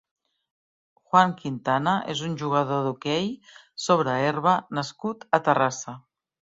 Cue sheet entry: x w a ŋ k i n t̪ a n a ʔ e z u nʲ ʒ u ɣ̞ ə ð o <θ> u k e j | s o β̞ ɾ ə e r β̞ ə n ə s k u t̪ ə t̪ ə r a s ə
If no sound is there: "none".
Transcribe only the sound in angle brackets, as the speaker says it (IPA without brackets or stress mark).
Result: ð